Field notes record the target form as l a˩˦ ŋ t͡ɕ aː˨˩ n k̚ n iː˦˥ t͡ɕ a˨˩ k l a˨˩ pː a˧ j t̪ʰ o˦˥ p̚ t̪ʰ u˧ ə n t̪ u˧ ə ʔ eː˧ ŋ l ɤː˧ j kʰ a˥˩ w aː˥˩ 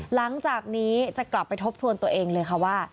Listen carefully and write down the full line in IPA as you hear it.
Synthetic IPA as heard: l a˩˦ ŋ t͡ɕ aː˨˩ k̚ n iː˦˥ t͡ɕ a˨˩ k l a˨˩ pː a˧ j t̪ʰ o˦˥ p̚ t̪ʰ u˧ ə n t̪ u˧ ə ʔ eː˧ ŋ l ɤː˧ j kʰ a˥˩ w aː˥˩